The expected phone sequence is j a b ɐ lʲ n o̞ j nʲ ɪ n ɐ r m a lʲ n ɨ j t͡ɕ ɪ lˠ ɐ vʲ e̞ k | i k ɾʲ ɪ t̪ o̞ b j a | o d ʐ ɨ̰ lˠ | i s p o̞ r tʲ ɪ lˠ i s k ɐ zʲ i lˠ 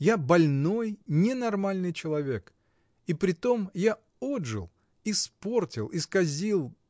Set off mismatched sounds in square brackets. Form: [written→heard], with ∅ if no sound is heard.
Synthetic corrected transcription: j a b ɐ lʲ n o̞ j nʲ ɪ n ɐ r m a lʲ n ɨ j t͡ɕ ɪ lˠ ɐ vʲ e̞ k | i [k→p] ɾʲ ɪ t̪ o̞ [b→m] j a | o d ʐ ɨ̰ lˠ | i s p o̞ r tʲ ɪ lˠ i s k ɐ zʲ i lˠ